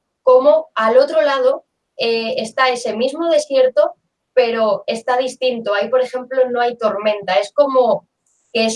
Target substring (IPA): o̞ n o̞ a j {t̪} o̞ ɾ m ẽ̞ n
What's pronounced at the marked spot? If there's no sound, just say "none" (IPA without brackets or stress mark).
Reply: t̪